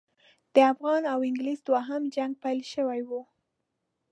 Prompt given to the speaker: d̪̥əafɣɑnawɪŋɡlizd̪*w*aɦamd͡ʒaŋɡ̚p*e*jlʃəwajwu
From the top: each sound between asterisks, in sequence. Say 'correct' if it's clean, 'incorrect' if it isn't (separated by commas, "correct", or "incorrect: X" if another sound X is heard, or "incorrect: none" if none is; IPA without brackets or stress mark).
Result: correct, incorrect: a